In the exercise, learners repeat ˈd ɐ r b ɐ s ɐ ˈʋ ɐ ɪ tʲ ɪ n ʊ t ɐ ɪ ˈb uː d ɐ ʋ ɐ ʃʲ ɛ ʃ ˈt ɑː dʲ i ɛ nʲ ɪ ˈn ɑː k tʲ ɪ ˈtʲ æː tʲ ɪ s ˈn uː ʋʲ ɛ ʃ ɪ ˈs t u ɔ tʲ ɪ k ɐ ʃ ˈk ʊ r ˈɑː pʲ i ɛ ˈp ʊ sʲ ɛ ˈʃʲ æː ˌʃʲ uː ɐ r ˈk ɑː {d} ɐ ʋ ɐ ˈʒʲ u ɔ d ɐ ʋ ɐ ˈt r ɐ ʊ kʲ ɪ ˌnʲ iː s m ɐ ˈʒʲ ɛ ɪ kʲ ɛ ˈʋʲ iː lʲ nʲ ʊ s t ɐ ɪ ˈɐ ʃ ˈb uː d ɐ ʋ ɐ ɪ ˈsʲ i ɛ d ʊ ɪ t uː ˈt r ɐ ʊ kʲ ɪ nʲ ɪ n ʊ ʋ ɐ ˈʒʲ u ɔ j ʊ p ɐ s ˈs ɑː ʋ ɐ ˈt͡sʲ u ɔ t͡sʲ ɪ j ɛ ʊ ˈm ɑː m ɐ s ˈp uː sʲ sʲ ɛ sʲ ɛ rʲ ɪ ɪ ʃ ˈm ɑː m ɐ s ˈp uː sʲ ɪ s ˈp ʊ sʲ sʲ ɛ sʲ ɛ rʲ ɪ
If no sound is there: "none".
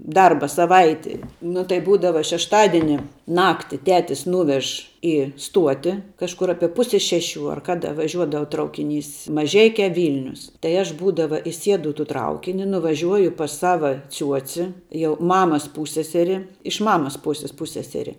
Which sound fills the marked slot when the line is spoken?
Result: d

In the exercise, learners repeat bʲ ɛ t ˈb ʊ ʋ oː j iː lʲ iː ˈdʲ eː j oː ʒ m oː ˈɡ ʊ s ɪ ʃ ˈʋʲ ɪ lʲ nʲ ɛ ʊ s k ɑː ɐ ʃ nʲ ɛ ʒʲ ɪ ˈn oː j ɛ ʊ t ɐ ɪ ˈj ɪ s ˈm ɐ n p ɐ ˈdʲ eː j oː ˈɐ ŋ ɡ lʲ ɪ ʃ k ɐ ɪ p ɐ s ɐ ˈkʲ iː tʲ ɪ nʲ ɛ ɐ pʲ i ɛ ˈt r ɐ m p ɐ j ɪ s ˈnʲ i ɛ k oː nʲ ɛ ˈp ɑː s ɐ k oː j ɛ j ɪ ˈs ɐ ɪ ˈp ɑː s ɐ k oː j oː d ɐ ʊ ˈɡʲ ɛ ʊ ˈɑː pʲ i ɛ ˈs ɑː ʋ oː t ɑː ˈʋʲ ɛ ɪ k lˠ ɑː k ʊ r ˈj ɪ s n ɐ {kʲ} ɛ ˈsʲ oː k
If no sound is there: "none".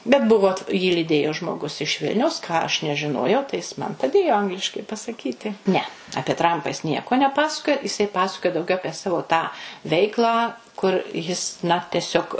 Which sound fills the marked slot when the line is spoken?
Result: tʲ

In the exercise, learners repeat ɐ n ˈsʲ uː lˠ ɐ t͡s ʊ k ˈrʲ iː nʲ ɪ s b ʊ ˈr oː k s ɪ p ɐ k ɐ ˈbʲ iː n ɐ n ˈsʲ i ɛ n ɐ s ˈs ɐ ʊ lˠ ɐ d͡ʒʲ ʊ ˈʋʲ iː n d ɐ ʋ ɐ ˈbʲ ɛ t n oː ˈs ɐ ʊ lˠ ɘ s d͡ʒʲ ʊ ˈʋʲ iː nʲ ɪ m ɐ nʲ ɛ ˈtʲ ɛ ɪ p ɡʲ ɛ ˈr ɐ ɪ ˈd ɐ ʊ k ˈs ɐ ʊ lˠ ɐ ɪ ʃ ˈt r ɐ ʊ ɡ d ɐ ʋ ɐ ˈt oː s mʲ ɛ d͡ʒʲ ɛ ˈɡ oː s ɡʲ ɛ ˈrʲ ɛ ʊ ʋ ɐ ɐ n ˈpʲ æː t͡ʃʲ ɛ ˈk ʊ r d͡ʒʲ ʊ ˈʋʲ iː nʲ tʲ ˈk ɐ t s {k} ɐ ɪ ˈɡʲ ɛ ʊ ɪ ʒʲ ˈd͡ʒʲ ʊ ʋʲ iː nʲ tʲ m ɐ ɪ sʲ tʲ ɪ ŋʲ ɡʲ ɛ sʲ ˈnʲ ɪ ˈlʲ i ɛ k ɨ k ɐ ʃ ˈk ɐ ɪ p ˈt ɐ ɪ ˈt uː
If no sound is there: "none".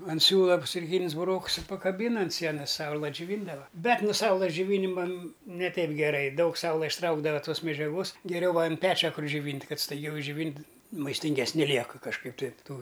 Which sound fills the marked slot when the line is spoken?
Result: t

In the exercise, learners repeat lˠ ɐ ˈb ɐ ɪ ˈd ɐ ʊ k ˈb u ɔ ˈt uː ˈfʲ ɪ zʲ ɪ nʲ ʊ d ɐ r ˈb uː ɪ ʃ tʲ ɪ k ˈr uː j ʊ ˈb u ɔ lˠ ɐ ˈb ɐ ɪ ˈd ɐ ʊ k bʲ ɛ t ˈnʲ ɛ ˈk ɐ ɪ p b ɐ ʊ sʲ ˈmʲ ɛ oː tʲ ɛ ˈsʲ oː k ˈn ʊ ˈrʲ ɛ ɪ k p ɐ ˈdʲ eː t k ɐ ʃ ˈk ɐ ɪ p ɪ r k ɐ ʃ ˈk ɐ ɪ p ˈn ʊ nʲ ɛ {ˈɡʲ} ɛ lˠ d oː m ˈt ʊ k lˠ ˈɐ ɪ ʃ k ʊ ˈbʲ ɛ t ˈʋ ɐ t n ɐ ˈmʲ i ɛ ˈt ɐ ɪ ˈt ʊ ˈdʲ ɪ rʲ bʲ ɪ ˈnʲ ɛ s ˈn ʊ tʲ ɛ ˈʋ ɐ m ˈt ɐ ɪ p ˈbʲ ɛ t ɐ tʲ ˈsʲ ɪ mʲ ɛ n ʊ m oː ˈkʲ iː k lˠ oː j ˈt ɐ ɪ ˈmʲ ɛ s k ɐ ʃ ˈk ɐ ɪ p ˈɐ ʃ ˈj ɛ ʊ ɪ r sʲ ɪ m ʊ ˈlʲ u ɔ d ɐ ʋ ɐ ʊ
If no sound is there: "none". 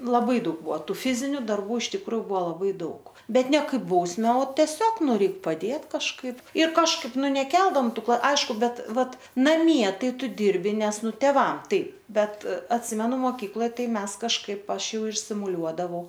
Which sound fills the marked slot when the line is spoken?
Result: kʲ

